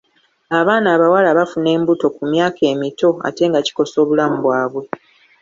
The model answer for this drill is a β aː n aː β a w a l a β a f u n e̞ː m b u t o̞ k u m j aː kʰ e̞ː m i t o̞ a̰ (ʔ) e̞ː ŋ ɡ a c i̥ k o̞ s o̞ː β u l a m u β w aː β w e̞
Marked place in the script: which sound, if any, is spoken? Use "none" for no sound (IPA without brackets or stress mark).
t